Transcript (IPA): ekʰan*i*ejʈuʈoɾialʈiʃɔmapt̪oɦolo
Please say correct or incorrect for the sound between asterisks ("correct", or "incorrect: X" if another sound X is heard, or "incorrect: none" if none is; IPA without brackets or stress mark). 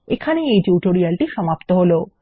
incorrect: e